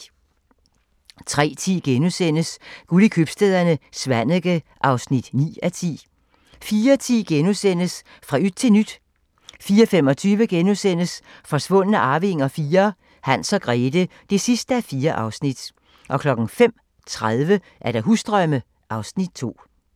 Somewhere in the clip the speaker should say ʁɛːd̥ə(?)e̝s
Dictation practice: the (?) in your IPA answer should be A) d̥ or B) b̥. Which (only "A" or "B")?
A